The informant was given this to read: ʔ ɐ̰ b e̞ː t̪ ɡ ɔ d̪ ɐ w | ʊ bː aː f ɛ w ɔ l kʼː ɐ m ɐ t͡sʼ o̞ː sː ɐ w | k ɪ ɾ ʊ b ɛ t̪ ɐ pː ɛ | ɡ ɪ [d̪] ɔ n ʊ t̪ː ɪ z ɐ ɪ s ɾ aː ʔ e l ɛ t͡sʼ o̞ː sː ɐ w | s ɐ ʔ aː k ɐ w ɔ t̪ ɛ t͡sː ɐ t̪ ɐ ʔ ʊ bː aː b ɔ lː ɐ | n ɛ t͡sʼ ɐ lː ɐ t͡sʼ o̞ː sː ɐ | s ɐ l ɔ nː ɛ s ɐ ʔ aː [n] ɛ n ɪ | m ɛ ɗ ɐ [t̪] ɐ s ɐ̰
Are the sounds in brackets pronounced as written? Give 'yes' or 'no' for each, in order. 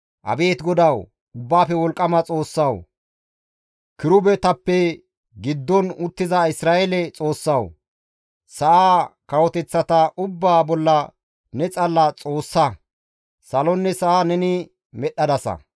no, yes, no

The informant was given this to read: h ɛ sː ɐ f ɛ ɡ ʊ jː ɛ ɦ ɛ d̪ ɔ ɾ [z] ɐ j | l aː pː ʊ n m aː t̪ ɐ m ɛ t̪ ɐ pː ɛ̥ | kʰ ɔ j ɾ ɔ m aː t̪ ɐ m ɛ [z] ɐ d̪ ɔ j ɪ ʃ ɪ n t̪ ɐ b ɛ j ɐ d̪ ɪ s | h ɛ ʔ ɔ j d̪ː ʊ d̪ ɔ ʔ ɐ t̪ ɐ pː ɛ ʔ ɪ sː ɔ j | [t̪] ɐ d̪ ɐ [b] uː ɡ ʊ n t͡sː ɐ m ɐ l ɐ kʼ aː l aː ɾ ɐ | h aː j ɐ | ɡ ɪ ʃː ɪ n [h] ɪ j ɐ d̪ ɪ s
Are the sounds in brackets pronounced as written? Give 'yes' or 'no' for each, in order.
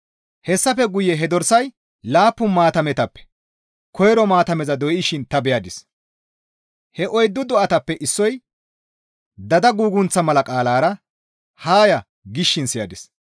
no, yes, no, no, no

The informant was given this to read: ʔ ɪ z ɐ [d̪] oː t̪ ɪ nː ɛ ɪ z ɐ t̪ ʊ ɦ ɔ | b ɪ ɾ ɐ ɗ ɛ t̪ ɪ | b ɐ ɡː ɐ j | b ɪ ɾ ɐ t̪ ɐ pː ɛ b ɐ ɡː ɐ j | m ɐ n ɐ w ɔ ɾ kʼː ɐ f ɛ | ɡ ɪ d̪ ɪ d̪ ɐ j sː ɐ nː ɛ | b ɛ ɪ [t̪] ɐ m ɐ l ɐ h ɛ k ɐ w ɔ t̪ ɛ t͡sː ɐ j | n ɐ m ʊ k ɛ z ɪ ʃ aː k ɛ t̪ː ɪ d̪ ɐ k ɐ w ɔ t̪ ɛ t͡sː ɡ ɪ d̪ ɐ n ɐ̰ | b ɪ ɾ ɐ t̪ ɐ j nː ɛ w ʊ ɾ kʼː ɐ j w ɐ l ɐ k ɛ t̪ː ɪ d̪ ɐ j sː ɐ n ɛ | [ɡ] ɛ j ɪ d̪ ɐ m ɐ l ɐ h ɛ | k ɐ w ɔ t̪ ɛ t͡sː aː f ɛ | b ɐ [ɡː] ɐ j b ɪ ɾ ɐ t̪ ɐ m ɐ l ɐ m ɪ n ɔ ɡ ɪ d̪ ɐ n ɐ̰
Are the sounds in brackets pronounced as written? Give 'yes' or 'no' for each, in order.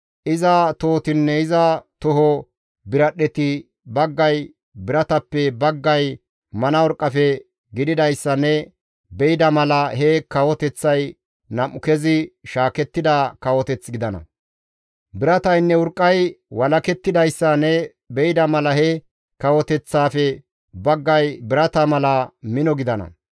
no, no, no, yes

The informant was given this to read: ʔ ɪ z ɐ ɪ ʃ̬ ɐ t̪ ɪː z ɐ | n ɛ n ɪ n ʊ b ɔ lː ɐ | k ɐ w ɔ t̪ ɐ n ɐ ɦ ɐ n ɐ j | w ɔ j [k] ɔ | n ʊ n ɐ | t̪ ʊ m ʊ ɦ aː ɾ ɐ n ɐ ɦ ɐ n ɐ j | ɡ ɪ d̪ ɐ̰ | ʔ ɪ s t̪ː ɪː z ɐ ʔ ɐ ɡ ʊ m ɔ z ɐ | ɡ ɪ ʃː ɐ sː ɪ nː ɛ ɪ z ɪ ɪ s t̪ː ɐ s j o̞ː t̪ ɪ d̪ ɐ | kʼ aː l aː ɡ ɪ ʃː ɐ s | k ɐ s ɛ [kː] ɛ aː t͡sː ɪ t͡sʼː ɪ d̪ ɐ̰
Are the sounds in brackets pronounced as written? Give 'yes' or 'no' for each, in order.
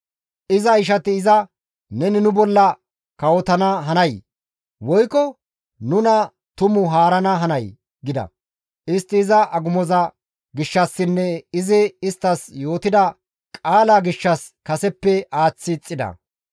yes, no

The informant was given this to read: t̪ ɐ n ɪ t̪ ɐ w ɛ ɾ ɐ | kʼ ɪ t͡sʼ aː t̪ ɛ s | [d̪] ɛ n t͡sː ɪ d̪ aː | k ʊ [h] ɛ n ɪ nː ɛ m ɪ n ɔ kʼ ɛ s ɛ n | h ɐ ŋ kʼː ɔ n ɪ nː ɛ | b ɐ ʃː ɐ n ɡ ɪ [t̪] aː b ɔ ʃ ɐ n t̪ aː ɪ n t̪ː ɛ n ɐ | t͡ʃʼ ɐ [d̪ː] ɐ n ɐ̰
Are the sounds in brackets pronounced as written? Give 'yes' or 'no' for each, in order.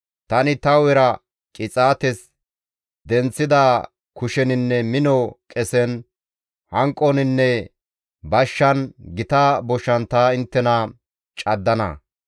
yes, no, yes, yes

